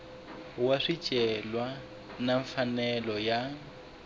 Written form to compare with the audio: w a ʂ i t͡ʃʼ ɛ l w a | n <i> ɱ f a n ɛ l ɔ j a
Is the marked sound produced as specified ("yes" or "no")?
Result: no